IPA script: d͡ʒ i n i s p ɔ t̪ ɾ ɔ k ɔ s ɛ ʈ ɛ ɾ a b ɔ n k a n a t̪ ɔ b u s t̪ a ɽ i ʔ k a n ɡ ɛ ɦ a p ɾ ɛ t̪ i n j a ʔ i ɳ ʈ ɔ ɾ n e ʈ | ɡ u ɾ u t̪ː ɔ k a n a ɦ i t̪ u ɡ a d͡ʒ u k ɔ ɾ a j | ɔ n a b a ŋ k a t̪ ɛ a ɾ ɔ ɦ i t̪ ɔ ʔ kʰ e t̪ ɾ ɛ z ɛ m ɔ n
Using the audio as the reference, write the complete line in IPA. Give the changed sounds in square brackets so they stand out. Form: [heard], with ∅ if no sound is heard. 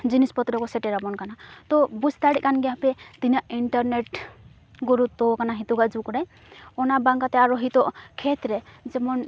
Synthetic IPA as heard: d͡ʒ i n i s p ɔ t̪ ɾ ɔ k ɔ s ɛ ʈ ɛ ɾ a b ɔ n k a n a t̪ ɔ b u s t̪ a ɽ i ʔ k a n ɡ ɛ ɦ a p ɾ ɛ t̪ i n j a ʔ i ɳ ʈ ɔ ɾ n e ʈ | ɡ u ɾ u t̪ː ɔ k a n a ɦ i t̪ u ɡ a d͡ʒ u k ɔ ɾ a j | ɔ n a b a ŋ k a t̪ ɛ a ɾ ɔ ɦ i t̪ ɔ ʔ kʰ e t̪ ɾ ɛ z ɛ m ɔ n